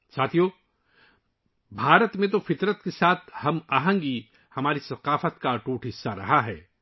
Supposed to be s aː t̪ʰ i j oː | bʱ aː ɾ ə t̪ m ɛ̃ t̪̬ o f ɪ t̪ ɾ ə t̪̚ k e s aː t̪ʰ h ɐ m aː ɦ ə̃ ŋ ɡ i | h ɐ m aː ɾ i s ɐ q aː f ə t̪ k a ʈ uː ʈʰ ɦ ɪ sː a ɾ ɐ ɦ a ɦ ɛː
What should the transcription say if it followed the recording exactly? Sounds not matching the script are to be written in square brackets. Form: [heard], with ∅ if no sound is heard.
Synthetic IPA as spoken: s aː t̪ʰ i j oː | bʱ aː ɾ ə t̪ m [ẽ] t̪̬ o f ɪ t̪ ɾ ə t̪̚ k e s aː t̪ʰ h ɐ m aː ɦ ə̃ ŋ ɡ i | h ɐ m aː ɾ i s ɐ q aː f ə t̪ k a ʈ uː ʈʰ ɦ ɪ sː a ɾ ɐ ɦ a ɦ ɛː